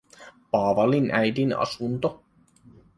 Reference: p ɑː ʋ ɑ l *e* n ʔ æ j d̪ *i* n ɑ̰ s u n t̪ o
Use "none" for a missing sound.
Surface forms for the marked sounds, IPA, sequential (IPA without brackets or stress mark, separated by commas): i, i